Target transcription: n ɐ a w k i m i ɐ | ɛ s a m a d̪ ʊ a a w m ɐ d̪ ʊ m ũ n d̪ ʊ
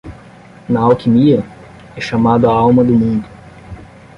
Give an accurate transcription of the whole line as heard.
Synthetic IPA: n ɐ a w k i m i ɐ | ɛ ʃ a m a d̪ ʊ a a w m ɐ d̪ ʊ m ũ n d̪ ʊ